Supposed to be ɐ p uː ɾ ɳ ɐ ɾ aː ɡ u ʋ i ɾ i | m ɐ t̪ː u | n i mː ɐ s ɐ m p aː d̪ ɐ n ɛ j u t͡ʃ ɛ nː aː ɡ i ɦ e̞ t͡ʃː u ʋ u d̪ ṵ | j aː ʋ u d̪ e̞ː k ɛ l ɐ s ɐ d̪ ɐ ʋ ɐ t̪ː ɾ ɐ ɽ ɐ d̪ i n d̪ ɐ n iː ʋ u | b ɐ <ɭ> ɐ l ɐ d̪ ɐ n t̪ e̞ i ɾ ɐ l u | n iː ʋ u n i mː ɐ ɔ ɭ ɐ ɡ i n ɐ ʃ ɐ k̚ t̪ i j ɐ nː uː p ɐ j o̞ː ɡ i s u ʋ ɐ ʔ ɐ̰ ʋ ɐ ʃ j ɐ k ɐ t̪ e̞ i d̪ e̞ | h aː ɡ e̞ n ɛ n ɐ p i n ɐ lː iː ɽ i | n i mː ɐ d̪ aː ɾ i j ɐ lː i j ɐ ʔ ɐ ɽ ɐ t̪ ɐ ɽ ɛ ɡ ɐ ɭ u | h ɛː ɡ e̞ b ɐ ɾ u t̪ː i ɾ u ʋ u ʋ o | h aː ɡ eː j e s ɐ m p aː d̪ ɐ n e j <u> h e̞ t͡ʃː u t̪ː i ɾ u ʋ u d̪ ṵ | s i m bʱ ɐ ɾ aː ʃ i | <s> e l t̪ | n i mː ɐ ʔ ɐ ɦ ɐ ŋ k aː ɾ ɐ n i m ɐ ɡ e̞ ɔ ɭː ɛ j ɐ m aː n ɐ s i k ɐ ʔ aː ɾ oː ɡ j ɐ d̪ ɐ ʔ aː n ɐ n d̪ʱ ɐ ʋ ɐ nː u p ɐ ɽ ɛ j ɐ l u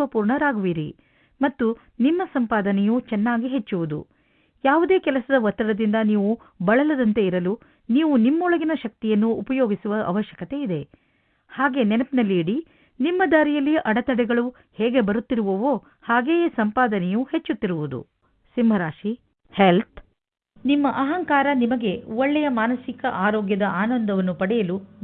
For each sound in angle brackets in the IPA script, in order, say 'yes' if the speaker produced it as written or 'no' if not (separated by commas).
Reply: yes, yes, no